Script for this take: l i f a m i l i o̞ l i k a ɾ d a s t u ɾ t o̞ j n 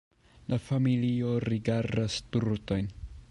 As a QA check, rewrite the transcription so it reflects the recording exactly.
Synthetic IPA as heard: l a f a m i l i o̞ ɾ i ɡ a ɾ d a s t u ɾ t o̞ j n